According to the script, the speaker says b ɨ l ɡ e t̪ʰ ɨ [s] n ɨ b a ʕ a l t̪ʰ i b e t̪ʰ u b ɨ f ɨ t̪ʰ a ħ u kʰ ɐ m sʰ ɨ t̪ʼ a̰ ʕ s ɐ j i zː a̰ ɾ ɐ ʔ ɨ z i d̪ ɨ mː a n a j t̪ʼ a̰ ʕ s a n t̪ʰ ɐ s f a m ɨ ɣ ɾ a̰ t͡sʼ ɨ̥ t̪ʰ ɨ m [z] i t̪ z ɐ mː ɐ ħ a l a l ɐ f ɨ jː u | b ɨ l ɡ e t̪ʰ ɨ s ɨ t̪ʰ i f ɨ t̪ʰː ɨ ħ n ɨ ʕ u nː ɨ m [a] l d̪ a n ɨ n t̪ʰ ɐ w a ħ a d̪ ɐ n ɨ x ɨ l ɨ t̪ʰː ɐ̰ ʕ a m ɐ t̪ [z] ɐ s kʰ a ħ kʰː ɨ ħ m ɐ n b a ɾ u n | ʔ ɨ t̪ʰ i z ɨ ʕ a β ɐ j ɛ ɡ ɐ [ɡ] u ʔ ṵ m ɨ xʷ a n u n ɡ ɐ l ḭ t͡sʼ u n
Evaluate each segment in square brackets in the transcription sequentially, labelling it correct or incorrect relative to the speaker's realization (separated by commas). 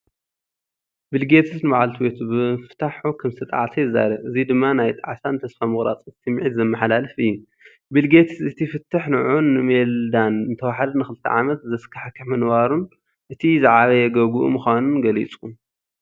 correct, incorrect, incorrect, correct, correct